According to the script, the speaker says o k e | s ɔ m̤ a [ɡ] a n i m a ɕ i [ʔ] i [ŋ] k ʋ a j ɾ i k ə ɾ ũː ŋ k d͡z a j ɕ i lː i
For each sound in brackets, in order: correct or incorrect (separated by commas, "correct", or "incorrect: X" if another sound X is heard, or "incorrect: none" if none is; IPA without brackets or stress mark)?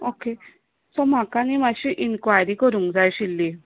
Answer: incorrect: k, correct, incorrect: n